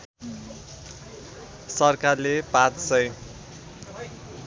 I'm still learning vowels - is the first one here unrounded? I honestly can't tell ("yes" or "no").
yes